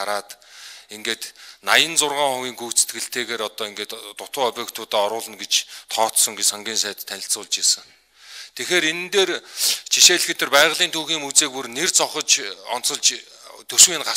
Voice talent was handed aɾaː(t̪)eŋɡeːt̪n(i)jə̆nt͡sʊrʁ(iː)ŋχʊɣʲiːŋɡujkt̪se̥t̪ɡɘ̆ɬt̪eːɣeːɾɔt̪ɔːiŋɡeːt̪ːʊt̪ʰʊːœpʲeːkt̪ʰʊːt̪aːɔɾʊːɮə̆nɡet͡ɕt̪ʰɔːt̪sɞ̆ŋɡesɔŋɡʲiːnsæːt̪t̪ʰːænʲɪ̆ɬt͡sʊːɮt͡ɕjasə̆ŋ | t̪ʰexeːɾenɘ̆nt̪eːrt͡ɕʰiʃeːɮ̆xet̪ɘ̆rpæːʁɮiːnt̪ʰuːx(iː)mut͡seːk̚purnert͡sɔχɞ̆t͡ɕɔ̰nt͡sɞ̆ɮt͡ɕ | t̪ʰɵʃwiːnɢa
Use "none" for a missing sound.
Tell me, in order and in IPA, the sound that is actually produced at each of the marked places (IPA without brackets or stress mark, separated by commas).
t̪, a, aː, iː